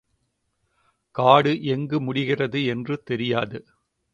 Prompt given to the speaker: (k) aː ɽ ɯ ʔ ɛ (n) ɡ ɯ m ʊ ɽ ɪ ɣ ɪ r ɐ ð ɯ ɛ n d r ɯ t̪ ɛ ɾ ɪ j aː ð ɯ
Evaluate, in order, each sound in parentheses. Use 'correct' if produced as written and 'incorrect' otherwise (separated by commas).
correct, incorrect